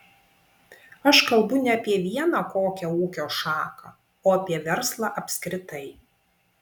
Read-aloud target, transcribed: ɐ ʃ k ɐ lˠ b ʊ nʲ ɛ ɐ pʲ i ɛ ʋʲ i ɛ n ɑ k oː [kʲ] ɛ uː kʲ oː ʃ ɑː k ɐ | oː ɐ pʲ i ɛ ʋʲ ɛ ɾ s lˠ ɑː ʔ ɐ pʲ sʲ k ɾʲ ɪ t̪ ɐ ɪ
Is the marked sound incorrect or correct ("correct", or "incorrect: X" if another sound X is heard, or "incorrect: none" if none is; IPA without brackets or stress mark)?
correct